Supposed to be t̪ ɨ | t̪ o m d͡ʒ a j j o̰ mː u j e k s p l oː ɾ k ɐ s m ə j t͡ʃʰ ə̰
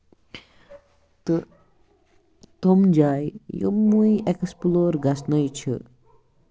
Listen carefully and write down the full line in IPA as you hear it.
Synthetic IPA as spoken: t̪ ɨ | t̪ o m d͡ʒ a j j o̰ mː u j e k s p l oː ɾ ɡ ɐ s n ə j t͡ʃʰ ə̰